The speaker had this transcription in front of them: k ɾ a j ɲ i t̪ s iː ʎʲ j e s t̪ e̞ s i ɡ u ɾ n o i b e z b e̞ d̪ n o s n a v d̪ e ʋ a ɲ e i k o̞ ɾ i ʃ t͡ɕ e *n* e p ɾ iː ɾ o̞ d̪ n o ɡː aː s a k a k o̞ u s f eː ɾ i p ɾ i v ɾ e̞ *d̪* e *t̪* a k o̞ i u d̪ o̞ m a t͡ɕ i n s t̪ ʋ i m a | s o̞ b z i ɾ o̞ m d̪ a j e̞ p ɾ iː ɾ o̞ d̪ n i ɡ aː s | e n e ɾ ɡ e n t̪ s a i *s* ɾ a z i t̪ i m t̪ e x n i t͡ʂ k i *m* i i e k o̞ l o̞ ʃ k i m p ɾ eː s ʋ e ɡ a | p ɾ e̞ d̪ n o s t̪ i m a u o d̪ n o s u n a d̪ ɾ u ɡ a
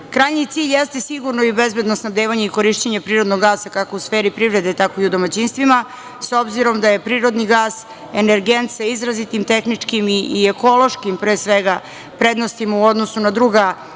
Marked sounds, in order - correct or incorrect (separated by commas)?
incorrect, correct, correct, incorrect, correct